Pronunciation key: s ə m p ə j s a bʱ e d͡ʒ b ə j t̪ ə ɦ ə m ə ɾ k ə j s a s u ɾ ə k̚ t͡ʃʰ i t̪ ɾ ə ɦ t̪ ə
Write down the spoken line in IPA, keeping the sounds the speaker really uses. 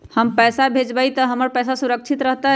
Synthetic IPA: h ə m p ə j s a bʱ e d͡ʒ b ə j t̪ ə ɦ ə m ə ɾ p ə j s a s u ɾ ə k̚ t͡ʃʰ i t̪ ɾ ə ɦ t̪ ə